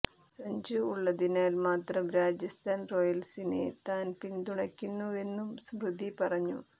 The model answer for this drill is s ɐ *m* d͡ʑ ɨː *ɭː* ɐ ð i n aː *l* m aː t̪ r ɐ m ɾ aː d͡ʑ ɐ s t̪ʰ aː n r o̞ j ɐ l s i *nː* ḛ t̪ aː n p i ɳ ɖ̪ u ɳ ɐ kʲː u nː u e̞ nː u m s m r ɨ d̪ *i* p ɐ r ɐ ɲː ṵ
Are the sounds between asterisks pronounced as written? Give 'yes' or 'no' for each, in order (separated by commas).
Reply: no, yes, yes, no, yes